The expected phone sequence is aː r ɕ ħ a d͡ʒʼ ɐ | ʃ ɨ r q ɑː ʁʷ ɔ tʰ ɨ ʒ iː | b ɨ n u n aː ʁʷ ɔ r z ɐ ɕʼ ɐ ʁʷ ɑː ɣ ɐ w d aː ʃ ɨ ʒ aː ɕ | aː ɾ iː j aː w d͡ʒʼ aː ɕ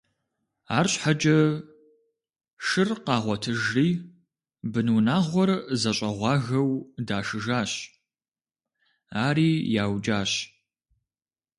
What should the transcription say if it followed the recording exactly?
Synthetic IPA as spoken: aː r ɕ ħ a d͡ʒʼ ɐ | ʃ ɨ r q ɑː ʁʷ ɔ tʰ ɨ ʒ iː | b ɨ n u n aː ʁʷ ɔ r z ɐ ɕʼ ɐ ʁʷ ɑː ɣ ɐ w d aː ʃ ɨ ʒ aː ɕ | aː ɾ iː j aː w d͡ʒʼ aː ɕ